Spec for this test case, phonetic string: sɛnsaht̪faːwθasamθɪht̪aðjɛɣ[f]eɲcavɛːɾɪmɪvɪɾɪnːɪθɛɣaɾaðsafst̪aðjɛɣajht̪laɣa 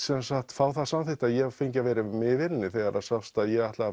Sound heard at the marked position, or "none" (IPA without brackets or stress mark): f